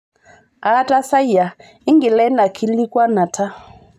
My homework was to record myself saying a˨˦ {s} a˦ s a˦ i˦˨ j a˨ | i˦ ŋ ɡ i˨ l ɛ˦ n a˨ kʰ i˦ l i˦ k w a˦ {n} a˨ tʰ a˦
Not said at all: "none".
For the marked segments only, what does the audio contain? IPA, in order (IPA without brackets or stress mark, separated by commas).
t, n